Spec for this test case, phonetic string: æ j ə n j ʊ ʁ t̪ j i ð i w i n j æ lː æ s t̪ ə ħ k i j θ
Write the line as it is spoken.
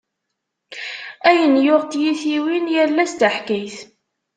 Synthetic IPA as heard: æ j ə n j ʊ ʁ t̪ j i θ i w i n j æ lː æ s t̪ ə ħ k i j θ